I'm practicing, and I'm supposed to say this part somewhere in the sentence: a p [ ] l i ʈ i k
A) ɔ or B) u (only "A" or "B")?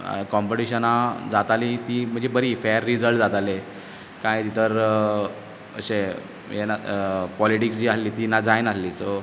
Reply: A